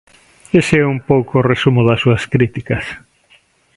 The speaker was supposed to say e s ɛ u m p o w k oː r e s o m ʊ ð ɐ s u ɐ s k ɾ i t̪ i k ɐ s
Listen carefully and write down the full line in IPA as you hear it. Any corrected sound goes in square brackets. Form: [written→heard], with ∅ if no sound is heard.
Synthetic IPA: e s ɛ u m p o w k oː r e s [o→u] m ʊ ð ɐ s u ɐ s k ɾ i t̪ i k ɐ s